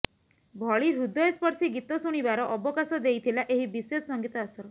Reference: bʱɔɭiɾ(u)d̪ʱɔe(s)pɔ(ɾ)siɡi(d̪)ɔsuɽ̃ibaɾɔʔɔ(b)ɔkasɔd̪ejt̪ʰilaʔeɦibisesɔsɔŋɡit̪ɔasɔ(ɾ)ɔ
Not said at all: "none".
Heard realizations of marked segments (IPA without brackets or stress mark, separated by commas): u, s, ɾ, t̪, b, ɾ